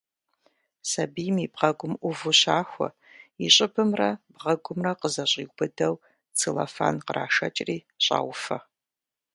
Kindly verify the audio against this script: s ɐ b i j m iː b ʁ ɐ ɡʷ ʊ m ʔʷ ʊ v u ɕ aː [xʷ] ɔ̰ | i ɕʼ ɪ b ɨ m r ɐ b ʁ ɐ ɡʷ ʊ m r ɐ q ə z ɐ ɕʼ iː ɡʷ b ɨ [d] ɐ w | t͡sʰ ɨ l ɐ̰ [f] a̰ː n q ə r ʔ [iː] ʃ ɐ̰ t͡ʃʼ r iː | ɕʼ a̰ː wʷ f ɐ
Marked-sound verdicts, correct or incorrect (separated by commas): correct, correct, correct, incorrect